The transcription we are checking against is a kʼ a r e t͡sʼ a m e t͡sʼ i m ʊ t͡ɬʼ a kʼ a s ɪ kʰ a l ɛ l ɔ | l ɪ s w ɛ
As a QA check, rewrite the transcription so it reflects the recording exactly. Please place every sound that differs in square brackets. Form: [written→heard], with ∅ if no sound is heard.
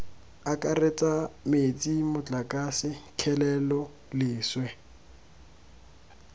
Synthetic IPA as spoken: a kʼ a r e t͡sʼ a m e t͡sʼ i m ʊ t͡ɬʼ a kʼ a s ɪ kʰ [a→ɛ] l ɛ l ɔ | l [ɪ→ɪː] s w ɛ

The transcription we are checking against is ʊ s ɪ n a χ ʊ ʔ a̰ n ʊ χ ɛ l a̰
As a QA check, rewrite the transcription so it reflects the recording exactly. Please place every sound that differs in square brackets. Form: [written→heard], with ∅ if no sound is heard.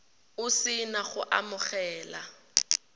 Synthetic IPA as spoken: ʊ s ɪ n a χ ʊ ʔ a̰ [n→m] ʊ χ [ɛ→ɛː] l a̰

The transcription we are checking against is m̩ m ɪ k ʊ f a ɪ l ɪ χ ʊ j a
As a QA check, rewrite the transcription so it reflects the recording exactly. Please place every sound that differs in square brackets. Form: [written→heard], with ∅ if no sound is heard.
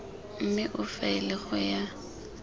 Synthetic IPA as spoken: m̩ m ɪ [k→ʔ] ʊ f a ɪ l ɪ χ ʊ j a

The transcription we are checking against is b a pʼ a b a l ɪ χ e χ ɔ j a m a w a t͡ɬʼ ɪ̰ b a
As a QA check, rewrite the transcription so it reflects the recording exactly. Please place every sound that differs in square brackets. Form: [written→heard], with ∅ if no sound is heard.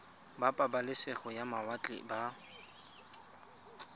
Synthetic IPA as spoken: b a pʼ a b a l ɪ [χ→s] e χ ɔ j a m a w a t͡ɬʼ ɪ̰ b a

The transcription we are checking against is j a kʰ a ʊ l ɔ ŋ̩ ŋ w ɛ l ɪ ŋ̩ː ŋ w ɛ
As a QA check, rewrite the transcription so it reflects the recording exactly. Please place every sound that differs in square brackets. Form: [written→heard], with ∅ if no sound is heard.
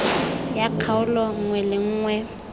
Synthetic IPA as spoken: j a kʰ a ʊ l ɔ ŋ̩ ŋ w ɛ l ɪ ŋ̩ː ŋ w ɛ

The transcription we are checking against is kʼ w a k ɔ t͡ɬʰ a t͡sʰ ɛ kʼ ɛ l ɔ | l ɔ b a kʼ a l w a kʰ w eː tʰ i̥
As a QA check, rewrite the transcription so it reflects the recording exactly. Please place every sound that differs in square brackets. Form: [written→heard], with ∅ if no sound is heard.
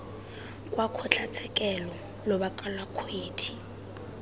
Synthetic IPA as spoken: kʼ w a [k→kʰ] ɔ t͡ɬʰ a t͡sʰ ɛ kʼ ɛ l ɔ | l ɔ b a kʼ a l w a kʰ w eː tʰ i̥

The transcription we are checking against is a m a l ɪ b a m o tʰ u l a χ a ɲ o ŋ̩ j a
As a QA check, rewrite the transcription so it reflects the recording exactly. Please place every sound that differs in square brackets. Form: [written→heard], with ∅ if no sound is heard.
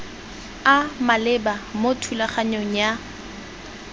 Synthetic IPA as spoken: a m a l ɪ b a m o tʰ u l a χ a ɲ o ŋ̩ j a

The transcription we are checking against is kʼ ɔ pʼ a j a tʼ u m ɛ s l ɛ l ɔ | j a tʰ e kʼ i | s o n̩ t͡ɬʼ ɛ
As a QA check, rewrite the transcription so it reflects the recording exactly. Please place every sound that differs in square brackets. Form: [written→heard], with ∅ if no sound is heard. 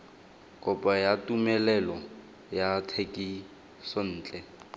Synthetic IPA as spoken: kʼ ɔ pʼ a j a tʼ u m ɛ [s→∅] l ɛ l ɔ | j a tʰ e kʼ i | s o [n̩→n̩ː] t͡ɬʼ ɛ

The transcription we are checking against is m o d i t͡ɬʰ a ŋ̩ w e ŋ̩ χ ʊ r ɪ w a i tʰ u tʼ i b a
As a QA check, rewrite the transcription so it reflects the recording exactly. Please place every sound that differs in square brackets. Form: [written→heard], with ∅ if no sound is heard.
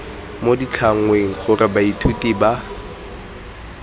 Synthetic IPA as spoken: m o d i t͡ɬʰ a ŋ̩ w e ŋ̩ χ ʊ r ɪ [w→b] a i tʰ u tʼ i b a

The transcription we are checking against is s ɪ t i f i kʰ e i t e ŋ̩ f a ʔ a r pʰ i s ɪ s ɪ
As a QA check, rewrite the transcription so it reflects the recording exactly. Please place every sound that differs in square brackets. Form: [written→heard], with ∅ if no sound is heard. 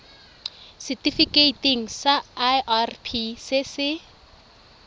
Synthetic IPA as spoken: s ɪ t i f i [kʰ→k] e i t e ŋ̩ [f→s] a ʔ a r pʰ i s ɪ s ɪ

